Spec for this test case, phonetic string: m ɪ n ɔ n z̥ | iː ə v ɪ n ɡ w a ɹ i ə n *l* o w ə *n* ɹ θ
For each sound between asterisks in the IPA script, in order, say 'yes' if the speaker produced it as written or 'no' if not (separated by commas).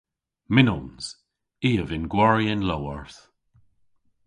yes, no